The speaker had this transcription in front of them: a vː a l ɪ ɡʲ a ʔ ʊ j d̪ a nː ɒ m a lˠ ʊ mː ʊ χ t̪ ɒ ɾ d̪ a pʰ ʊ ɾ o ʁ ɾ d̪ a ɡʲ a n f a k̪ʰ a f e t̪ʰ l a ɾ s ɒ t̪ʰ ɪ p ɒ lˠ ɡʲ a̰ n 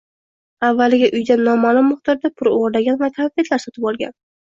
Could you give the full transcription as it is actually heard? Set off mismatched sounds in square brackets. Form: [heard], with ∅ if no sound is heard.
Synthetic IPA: a vː a l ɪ ɡʲ a ʔ ʊ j d̪ a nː ɒ m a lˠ ʊ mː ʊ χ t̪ ɒ ɾ d̪ a pʰ ʊ ɾ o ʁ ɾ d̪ a ɡʲ a n [v] a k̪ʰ a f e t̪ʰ l a ɾ s ɒ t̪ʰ ɪ p ɒ lˠ ɡʲ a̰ n